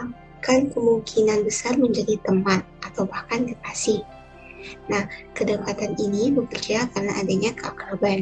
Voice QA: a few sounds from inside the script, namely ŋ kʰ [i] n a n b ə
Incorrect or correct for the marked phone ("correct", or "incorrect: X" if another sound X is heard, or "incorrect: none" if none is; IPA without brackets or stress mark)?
correct